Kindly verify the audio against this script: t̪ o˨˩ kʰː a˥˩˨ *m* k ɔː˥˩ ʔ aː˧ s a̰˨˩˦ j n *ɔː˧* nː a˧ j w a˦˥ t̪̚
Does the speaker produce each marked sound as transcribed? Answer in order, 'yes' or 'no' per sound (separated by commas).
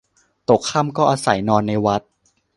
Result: yes, yes